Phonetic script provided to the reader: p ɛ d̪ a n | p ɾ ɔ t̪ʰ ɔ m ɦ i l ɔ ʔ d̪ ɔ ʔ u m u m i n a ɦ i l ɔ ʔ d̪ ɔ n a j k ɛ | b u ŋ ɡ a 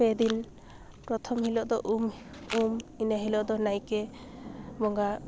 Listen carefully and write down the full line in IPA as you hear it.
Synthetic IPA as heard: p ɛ d̪ i n | p ɾ ɔ t̪ʰ ɔ m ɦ i l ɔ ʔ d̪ ɔ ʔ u m u m i n a ɦ i l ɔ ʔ d̪ ɔ n a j k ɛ | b ɔ ŋ ɡ a